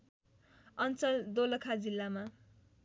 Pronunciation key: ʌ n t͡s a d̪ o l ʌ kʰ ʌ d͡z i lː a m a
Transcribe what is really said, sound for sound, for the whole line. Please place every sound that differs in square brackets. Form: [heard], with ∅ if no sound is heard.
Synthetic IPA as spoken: ʌ n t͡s [ʌ] d̪ o l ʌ kʰ [a] d͡z i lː a m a